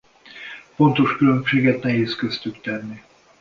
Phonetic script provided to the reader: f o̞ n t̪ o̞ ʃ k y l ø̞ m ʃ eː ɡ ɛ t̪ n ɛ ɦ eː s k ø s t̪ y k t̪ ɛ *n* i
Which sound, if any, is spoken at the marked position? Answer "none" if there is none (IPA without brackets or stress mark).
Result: nː